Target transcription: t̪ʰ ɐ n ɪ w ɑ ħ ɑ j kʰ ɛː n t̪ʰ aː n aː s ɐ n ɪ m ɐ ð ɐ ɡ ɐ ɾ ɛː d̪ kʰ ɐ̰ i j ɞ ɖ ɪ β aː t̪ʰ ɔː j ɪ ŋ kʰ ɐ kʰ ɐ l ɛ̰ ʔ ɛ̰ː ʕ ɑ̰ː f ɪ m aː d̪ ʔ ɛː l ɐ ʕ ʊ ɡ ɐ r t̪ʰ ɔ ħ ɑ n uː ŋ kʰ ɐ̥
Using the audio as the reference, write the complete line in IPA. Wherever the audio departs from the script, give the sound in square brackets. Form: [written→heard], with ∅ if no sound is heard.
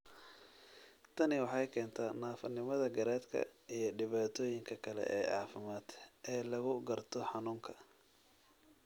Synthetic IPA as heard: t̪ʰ ɐ n ɪ w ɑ ħ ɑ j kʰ ɛː n t̪ʰ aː n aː [s→f] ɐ n ɪ m ɐ ð ɐ ɡ ɐ ɾ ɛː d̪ kʰ ɐ̰ i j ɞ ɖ ɪ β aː t̪ʰ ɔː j ɪ ŋ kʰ ɐ kʰ ɐ l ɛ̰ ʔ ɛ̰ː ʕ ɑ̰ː f ɪ m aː d̪ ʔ ɛː l ɐ [ʕ→ɣ] ʊ ɡ ɐ r t̪ʰ ɔ ħ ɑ n uː ŋ kʰ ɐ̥